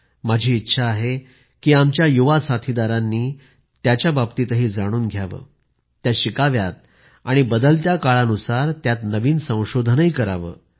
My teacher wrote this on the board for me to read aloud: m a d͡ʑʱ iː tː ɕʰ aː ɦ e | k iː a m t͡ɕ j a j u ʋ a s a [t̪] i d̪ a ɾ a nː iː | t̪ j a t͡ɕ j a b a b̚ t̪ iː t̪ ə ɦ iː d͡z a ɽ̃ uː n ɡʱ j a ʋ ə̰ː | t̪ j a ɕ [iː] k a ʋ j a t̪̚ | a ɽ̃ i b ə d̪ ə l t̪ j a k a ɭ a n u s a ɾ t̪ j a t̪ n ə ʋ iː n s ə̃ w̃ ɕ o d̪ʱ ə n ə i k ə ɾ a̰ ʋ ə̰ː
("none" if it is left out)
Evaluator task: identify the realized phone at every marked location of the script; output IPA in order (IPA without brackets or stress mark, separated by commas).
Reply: t̪ʰ, i